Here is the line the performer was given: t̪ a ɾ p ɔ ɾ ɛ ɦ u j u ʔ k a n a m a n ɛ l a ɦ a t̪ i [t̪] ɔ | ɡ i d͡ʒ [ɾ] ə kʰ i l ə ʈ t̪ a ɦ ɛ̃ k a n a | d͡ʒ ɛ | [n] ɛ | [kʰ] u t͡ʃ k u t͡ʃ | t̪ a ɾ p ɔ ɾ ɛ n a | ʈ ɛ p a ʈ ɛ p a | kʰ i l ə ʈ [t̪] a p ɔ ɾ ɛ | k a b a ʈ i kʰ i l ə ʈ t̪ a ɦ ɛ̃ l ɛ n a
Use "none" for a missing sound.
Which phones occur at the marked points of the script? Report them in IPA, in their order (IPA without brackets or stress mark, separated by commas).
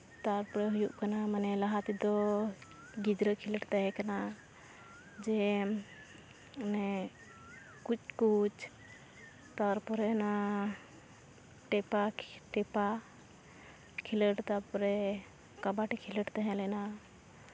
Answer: d̪, ɾ, n, k, t̪